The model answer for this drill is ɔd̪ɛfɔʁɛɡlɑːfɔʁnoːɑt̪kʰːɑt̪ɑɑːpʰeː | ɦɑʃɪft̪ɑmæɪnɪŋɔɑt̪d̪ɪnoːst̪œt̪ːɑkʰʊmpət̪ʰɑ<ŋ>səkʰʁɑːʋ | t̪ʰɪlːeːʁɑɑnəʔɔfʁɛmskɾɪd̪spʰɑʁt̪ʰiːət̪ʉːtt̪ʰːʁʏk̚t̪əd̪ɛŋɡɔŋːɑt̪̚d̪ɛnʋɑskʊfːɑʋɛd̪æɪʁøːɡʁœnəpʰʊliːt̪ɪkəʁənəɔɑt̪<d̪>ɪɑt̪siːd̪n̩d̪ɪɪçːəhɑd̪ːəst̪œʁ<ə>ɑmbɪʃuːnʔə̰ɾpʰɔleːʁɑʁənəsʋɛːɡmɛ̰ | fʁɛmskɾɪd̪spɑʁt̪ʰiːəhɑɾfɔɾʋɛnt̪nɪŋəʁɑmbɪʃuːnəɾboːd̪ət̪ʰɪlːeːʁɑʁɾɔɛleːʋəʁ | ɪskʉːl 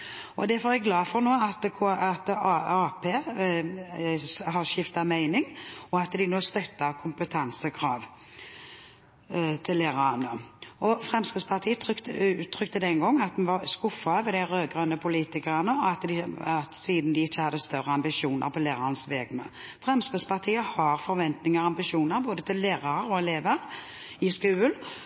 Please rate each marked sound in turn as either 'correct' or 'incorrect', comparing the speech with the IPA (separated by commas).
incorrect, correct, correct